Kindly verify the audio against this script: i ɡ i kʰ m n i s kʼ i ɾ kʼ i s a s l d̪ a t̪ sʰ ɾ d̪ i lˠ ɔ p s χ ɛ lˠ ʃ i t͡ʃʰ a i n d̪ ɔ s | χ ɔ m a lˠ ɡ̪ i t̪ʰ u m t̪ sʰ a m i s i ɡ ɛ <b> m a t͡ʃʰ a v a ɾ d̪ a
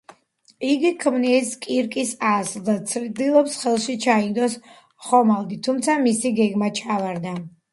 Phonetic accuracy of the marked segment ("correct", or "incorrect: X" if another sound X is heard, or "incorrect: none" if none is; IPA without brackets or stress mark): incorrect: ɡ